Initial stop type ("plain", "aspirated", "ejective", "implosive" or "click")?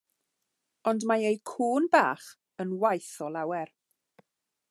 plain